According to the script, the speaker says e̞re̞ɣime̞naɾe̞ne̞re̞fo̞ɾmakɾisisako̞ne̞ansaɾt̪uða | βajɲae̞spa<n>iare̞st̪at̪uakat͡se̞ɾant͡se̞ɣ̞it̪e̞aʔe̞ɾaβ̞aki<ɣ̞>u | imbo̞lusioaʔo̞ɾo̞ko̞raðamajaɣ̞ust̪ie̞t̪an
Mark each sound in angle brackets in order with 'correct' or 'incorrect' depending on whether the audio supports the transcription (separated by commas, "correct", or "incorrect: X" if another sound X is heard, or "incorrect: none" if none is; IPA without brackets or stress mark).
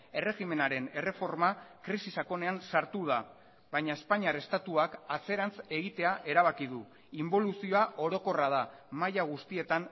incorrect: ɲ, incorrect: ð̞